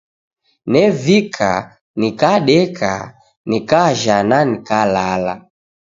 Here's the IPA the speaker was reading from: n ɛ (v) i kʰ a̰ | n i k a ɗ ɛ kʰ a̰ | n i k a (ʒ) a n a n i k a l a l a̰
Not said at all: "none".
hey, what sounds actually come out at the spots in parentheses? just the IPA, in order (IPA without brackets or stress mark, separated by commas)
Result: v, ʒ